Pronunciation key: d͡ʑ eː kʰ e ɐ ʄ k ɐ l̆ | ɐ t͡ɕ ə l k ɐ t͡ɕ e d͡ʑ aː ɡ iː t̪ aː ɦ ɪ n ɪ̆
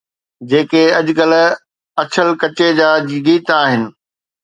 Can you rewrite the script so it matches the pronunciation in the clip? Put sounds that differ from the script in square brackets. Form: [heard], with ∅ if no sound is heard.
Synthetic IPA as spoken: d͡ʑ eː [k] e ɐ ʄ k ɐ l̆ | ɐ [t͡ɕʰ] ə l k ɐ t͡ɕ e d͡ʑ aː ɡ iː t̪ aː ɦ ɪ n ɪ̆